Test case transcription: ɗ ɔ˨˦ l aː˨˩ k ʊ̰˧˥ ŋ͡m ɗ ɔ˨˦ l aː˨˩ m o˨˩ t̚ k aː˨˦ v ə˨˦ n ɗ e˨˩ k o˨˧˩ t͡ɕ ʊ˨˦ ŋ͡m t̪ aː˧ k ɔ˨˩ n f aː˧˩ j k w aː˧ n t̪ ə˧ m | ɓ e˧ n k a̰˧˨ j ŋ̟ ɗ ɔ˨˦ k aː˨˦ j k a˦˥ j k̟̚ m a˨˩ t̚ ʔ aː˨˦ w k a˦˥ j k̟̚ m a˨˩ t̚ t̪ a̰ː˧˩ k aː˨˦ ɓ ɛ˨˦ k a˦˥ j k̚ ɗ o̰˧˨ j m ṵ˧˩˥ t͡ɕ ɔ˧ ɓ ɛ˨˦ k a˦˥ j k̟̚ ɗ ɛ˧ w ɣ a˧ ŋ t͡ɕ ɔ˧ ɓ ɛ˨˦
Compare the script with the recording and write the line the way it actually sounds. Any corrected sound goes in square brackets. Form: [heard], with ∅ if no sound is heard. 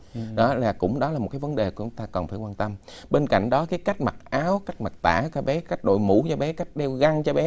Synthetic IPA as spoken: ɗ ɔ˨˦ l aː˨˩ k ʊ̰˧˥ ŋ͡m ɗ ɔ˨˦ l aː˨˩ m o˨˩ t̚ k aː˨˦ v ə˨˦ n ɗ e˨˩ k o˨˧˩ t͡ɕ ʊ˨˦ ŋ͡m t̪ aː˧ k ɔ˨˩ n f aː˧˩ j k w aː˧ n t̪ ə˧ m | ɓ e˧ n k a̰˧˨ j ŋ̟ ɗ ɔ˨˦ k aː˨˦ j k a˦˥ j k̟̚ m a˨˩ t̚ ʔ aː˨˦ w k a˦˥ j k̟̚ m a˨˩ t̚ t̪ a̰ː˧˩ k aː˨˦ ɓ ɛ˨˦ k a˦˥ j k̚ ɗ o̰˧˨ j m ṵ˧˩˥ t͡ɕ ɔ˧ ɓ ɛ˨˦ k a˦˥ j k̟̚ ɗ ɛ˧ w ɣ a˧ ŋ t͡ɕ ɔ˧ ɓ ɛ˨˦

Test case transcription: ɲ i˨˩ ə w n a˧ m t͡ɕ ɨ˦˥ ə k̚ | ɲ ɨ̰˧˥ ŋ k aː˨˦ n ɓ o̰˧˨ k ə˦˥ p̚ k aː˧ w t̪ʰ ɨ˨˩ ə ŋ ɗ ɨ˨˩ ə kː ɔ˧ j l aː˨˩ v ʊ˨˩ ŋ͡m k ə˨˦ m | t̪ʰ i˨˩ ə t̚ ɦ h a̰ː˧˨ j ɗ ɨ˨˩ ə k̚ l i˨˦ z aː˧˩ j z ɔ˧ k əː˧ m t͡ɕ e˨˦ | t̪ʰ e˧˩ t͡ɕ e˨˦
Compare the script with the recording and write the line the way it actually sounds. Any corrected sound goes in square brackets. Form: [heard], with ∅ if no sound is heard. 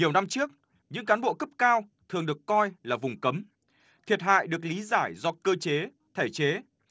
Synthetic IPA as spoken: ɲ i˨˩ ə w n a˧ m t͡ɕ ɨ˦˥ ə k̚ | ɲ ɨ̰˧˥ ŋ k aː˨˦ n ɓ o̰˧˨ k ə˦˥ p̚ k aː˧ w t̪ʰ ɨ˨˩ ə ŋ ɗ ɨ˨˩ ə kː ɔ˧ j l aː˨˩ v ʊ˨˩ ŋ͡m k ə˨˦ m | t̪ʰ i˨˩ ə t̚ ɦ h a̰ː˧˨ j ɗ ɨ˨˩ ə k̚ l i˨˦ z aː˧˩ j z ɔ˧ k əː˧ [∅] t͡ɕ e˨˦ | t̪ʰ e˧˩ t͡ɕ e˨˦

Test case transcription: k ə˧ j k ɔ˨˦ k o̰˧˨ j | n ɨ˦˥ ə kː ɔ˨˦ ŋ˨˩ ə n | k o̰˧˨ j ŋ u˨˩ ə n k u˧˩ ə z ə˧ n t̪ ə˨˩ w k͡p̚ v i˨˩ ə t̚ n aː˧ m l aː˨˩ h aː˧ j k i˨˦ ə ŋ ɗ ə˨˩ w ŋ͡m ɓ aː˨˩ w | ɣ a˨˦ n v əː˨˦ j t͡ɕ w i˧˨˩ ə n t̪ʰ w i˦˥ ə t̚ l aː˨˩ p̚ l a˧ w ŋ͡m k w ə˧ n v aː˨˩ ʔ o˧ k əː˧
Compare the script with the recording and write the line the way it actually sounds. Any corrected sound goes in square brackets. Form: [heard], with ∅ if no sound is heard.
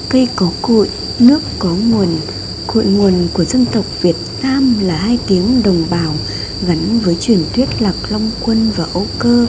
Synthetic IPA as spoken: k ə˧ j k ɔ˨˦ k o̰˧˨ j | n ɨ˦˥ ə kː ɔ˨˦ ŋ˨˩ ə n | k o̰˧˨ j ŋ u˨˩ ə n k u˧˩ ə z ə˧ n t̪ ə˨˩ w k͡p̚ v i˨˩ ə t̚ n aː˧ m l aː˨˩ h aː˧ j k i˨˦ ə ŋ ɗ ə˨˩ w ŋ͡m ɓ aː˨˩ w | ɣ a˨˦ n v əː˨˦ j t͡ɕ w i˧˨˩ ə n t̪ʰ w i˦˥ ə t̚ l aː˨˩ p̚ l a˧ w ŋ͡m k w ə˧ n v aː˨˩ ʔ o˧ k əː˧

